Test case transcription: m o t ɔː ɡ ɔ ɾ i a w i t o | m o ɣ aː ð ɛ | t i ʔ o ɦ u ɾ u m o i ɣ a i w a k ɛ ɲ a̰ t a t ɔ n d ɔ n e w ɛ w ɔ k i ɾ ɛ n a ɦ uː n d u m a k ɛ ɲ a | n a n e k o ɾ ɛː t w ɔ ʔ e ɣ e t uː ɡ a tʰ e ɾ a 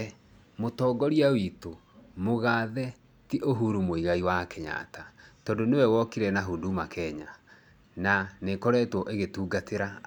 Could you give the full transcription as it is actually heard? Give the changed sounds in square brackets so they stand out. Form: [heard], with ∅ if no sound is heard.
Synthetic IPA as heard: m o t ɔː ɡ ɔ ɾ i a w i t o | m o ɣ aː ð ɛ | t i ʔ o ɦ u ɾ u m o i ɣ a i w a k ɛ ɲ a̰ t a t ɔ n d [o] n e w ɛ w ɔ k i ɾ ɛ n a ɦ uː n d u m a k ɛ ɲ a | n a n e k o ɾ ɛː t w ɔ ʔ e ɣ e t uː ɡ a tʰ e ɾ a